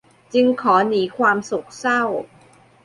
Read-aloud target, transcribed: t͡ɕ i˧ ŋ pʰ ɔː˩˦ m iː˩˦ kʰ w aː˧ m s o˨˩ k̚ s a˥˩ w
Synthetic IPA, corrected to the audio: t͡ɕ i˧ ŋ kʰ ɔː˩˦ n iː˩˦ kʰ w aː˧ m s u˨˩ k̚ s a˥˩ w